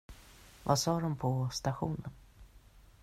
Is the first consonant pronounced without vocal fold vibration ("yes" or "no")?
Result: no